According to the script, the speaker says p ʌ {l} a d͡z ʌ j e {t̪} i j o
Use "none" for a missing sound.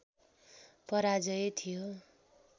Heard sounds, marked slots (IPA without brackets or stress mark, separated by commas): ɾ, t̪ʰ